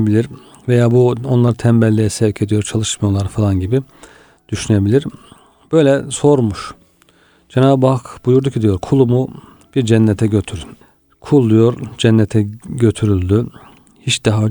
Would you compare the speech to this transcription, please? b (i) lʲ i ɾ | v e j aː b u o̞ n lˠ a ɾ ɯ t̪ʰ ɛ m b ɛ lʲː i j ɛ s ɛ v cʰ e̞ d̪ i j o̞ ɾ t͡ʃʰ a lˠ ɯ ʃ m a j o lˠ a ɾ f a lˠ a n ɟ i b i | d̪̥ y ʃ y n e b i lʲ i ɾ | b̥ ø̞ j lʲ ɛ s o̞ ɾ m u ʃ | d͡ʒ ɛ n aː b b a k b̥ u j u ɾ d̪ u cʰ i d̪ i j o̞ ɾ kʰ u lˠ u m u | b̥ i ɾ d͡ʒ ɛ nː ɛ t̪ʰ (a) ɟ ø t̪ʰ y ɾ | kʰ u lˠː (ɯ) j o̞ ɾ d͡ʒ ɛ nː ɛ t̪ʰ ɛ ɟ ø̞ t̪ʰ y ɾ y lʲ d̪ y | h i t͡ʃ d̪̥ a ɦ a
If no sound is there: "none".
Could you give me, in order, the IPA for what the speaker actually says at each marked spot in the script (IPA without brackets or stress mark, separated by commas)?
i, ɛ, u